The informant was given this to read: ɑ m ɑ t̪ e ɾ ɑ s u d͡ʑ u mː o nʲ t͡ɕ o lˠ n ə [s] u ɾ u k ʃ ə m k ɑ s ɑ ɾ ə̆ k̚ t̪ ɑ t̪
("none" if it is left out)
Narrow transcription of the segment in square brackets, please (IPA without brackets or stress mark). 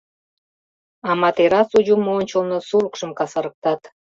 s